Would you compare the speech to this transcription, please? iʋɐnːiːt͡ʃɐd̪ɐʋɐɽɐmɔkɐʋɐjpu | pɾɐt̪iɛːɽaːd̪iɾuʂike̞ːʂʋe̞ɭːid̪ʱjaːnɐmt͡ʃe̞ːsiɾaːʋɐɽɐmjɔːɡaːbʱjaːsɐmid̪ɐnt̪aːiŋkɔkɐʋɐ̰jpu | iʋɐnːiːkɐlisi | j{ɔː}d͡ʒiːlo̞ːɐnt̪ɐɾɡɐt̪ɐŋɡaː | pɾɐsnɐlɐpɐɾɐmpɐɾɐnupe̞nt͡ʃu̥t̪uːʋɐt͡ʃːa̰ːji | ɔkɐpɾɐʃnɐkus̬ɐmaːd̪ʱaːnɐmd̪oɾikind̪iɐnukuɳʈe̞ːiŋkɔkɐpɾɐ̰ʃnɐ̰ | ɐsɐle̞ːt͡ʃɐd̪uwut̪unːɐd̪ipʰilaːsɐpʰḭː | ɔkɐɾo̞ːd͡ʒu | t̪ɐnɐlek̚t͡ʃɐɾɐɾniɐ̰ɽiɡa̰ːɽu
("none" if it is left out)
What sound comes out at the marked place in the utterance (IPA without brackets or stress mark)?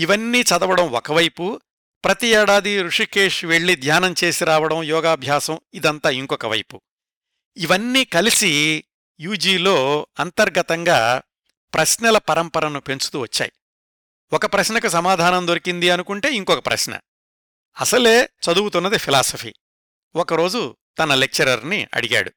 uː